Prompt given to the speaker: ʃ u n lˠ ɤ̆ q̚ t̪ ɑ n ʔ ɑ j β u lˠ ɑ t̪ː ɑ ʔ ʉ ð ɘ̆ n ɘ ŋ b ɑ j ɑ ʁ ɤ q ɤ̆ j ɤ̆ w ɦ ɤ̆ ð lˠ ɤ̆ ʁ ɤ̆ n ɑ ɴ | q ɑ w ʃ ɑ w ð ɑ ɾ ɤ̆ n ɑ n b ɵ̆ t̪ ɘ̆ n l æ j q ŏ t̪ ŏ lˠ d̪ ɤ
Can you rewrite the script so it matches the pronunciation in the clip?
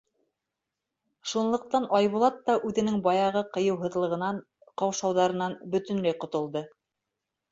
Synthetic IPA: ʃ u n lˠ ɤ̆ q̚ t̪ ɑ n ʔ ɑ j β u lˠ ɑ t̪ː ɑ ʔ ʉ ð ɘ̆ n ɘ ŋ b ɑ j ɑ ʁ ɤ q ɤ̆ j ɤ̆ w ɦ ɤ̆ ð lˠ ɤ̆ ʁ ɤ̆ n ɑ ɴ | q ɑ w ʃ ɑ w ð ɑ ɾ ɤ̆ n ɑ n b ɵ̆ t̪ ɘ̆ n l æ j q ŏ t̪ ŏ lˠ d̪ ɤ